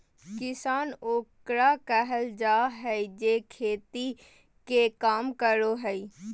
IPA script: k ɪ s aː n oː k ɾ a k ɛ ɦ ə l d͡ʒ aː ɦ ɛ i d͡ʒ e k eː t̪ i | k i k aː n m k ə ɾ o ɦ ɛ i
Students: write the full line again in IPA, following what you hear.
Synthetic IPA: k ɪ s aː n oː k ɾ a k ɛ ɦ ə l d͡ʒ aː ɦ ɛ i d͡ʒ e kʰ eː t̪ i | k e k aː m k ə ɾ o ɦ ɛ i